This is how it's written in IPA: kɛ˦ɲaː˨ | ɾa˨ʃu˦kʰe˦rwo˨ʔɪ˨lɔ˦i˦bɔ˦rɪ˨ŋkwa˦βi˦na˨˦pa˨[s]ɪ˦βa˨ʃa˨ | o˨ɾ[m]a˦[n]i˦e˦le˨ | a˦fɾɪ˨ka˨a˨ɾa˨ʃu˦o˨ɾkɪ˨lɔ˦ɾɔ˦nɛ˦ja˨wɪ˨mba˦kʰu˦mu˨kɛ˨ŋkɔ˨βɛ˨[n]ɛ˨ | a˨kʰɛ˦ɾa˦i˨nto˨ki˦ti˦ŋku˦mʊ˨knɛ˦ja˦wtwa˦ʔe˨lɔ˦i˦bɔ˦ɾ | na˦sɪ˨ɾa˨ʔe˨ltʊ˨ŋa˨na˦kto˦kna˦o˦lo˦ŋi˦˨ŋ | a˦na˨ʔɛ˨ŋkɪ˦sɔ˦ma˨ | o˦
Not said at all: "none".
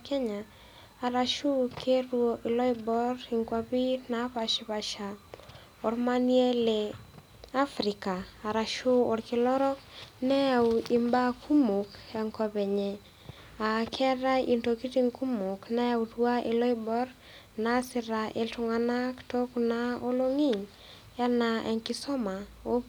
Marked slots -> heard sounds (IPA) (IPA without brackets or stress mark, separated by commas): ʃ, m, n, ɲ